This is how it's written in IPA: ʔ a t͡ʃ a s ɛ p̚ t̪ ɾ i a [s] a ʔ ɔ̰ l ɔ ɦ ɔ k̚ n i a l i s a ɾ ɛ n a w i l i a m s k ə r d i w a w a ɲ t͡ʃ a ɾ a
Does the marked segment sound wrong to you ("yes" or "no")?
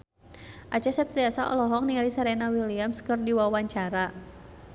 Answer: no